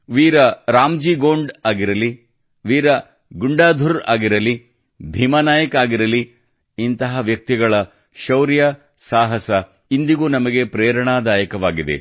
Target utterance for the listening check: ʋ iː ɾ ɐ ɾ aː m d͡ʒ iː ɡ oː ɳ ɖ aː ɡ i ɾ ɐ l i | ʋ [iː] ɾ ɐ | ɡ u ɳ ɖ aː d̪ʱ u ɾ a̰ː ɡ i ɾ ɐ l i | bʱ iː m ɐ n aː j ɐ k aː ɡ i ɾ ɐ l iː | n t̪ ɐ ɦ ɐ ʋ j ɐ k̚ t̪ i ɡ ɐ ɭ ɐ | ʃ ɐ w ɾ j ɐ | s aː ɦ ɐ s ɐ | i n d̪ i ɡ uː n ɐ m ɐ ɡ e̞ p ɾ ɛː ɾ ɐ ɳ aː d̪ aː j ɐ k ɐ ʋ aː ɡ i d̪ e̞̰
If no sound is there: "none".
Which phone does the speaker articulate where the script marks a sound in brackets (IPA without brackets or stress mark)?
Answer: iː